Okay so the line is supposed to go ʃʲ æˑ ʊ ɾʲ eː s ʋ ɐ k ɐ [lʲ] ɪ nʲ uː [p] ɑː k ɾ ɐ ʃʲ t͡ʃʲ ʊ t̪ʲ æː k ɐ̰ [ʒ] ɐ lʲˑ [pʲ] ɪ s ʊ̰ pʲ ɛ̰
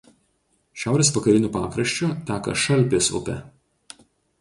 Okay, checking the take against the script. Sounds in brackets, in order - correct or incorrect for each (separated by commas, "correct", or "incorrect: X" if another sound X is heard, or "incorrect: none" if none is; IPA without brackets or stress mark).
incorrect: ɾʲ, correct, incorrect: ʃ, correct